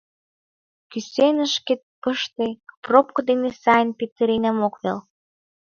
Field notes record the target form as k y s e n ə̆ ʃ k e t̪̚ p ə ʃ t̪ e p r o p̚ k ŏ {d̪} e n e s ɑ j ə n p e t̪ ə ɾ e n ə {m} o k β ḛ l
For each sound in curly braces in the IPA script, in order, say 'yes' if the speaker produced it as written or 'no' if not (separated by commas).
yes, yes